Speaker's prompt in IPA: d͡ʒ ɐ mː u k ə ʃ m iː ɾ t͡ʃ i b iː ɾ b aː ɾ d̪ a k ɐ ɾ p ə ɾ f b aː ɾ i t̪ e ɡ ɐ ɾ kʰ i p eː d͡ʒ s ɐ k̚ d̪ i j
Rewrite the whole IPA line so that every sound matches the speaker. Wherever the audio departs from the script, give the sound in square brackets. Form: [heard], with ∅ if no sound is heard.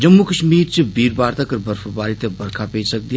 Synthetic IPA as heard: d͡ʒ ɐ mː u k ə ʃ m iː ɾ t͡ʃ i b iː ɾ b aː ɾ [t̪] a k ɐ ɾ [b] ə ɾ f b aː ɾ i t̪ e [b] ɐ ɾ kʰ [a] p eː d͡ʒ s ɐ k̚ d̪ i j

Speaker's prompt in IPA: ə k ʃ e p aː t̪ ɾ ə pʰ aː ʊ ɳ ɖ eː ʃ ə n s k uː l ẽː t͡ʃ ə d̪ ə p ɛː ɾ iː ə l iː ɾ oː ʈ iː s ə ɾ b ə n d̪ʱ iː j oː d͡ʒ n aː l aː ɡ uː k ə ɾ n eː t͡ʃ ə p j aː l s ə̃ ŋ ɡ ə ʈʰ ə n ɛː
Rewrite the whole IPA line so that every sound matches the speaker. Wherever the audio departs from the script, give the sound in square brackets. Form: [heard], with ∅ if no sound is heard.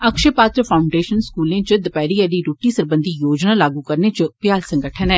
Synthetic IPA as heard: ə k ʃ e p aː t̪ ɾ ə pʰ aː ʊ ɳ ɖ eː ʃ ə n s k uː l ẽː t͡ʃ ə d̪ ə p ɛː ɾ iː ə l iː ɾ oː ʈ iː s ə ɾ b ə n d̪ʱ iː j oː d͡ʒ n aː l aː ɡ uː k ə ɾ n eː t͡ʃ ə p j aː l s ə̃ ŋ ɡ ə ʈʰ ə n ɛː

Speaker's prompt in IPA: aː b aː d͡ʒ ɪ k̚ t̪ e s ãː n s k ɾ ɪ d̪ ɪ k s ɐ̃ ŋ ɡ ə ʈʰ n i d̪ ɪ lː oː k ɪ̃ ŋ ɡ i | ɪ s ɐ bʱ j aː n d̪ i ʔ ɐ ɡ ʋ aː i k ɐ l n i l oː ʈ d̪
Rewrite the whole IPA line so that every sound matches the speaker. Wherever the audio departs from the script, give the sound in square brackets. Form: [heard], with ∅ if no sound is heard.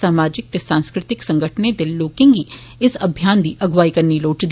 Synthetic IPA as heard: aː [m] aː d͡ʒ ɪ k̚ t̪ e s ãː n s k ɾ ɪ [t̪] ɪ k s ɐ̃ ŋ ɡ ə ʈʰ n [e] d̪ ɪ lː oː k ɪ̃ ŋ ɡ i | ɪ s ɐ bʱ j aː n d̪ i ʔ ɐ ɡ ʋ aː i k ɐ [ɾ] n i l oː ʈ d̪

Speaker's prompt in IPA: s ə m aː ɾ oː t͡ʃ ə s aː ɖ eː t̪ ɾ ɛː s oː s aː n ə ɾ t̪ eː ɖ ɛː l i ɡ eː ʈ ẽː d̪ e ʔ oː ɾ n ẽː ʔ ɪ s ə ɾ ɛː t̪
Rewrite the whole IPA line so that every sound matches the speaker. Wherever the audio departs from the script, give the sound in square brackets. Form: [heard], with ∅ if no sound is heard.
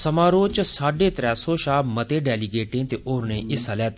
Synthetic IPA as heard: s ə m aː ɾ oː t͡ʃ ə s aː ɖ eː t̪ ɾ ɛː s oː [ʃ] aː [m] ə [∅] t̪ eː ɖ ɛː l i ɡ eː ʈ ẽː [t̪] e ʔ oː ɾ n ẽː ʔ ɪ s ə [l] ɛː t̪

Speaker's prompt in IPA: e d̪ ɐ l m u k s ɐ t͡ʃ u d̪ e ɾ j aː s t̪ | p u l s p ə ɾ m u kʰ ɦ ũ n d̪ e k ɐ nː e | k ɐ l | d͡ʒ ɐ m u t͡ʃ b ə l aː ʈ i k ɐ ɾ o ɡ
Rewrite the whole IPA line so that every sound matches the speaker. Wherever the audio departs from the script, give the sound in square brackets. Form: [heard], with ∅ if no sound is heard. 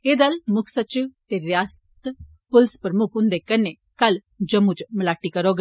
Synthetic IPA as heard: e d̪ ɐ l m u k s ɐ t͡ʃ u [t̪] e ɾ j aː s t̪ | p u l s p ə ɾ m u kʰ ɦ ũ n d̪ e k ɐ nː e | k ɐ l | d͡ʒ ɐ m u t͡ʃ [m] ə l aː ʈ i k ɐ ɾ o ɡ

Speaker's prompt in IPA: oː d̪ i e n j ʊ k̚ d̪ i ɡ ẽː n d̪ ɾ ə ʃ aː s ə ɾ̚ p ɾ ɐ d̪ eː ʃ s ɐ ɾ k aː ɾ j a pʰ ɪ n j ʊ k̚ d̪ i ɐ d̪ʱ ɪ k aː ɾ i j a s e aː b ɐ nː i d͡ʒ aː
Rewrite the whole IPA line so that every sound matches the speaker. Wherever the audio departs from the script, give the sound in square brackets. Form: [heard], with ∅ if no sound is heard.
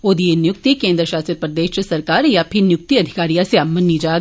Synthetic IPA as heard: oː d̪ i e n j ʊ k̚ [t̪] i [k] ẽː n d̪ ɾ ə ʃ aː s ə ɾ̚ p ɾ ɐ d̪ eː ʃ s ɐ ɾ k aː ɾ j a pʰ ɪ n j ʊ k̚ [t̪] i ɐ d̪ʱ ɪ k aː ɾ i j a s e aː [m] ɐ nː i d͡ʒ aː

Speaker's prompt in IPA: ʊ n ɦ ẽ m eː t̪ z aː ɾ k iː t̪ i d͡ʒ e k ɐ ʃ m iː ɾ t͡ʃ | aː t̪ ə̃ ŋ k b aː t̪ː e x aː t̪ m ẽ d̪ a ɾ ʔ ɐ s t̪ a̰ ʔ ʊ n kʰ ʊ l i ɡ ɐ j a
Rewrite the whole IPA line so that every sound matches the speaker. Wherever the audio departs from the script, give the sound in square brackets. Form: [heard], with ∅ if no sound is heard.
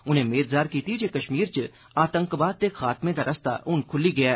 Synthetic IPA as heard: ʊ n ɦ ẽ m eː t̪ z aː ɾ k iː t̪ i d͡ʒ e k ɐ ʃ m iː ɾ t͡ʃ | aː t̪ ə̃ ŋ k b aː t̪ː e x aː t̪ m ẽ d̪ a ɾ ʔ ɐ s t̪ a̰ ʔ ʊ n kʰ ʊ l i ɡ ɐ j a

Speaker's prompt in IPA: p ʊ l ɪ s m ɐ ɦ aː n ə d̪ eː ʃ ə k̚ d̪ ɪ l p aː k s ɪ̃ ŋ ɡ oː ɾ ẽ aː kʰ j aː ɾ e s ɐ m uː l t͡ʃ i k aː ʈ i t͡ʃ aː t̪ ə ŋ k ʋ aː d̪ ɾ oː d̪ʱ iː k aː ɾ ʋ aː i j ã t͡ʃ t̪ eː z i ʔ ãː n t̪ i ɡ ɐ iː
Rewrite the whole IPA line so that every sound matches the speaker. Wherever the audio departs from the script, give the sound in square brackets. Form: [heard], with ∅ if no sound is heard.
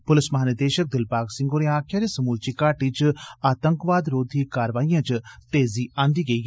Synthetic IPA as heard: p ʊ l ɪ s m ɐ ɦ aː n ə d̪ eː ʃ ə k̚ d̪ ɪ l p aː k s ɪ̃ ŋ ɡ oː ɾ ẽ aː kʰ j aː ɾ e s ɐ m uː l t͡ʃ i k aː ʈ i t͡ʃ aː t̪ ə ŋ k ʋ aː d̪ ɾ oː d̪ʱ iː k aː ɾ ʋ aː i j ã t͡ʃ t̪ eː z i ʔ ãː n [d̪] i ɡ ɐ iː

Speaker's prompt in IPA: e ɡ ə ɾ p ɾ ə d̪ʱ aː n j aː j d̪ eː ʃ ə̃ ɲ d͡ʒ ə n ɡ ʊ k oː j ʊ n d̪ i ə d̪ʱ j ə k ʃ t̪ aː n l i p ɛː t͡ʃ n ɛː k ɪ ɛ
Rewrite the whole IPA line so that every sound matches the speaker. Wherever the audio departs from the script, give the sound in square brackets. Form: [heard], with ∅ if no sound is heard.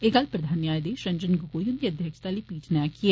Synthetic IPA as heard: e ɡ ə [l] p ɾ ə d̪ʱ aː n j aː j d̪ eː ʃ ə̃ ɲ d͡ʒ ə n ɡ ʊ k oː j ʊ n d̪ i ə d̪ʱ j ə k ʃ t̪ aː [∅] l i p [iː] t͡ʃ n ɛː k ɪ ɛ

